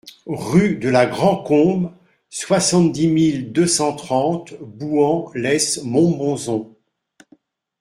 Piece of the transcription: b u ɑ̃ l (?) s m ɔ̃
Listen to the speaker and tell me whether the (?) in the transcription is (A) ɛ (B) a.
A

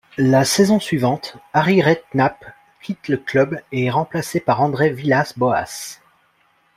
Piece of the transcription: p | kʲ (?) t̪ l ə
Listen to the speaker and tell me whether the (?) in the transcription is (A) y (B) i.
B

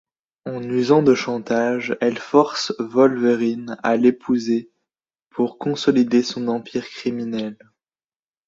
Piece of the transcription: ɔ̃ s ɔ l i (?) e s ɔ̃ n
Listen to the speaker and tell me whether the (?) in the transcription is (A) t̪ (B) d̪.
B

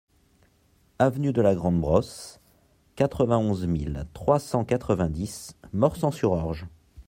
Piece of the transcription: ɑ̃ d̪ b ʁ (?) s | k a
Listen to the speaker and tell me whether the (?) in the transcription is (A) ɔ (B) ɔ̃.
A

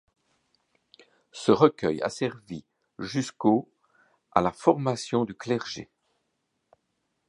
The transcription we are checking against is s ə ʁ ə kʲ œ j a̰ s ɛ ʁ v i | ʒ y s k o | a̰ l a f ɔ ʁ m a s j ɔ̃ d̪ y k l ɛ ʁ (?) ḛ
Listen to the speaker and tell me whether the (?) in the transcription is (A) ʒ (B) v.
A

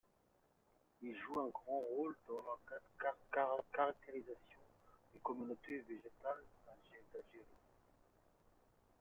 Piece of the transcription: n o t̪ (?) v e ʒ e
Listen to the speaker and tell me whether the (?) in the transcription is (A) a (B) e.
B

